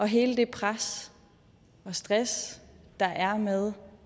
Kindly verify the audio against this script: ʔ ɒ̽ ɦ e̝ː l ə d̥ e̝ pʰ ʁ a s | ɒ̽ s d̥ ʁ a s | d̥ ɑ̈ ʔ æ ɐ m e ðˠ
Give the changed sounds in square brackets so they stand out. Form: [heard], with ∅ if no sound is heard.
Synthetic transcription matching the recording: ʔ ɒ̽ ɦ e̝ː l ə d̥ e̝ pʰ ʁ a s | ɒ̽ s d̥ ʁ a s | d̥ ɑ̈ ʔ æ ɐ m e ðˠ